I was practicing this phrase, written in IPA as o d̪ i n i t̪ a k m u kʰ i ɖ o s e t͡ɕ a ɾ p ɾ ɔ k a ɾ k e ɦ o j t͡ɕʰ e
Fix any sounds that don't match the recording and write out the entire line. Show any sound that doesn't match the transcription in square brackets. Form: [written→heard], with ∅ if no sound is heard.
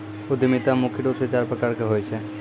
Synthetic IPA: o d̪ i [n→m] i t̪ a [k→∅] m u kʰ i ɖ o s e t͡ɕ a ɾ p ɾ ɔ k a ɾ k e ɦ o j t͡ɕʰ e

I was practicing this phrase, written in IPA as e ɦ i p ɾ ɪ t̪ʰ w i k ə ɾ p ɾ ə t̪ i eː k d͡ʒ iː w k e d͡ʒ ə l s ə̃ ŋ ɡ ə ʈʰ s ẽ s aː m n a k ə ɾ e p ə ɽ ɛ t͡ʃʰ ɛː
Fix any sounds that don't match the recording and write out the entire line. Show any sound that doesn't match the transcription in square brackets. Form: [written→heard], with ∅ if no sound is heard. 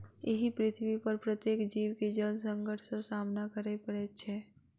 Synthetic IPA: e ɦ i p ɾ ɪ t̪ʰ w i [k→p] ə ɾ p ɾ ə t̪ [i→j] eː k d͡ʒ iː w k e d͡ʒ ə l s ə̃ ŋ ɡ ə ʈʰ s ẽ s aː m n a k ə ɾ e p ə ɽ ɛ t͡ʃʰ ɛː

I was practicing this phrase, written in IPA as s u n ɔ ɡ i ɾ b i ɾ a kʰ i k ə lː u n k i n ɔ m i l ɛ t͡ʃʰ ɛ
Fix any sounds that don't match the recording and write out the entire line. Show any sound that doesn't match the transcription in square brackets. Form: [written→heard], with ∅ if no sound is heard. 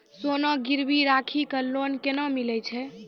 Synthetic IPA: s [u→o] n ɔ ɡ i ɾ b i ɾ a kʰ i k ə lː [u→o] n k [i→e] n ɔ m i l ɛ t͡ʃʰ ɛ

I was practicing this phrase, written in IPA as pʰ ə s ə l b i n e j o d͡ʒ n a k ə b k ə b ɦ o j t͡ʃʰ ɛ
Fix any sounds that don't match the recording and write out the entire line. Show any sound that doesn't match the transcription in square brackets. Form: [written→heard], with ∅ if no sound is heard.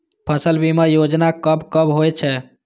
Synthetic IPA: pʰ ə s ə l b i [n→m] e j o d͡ʒ n a k ə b k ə b ɦ o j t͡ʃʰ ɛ

